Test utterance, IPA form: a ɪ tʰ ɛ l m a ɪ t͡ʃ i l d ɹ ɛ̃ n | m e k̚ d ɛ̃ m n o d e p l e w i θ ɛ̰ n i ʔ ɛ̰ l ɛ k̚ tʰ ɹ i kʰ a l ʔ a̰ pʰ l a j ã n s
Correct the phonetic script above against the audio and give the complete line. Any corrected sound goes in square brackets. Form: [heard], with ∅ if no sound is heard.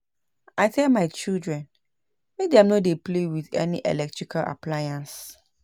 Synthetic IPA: a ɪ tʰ ɛ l m a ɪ t͡ʃ i l d ɹ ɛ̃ n | m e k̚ d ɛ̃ m n o d e p l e w i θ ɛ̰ n i ʔ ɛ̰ l ɛ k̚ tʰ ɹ i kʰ a l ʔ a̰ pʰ l a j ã n s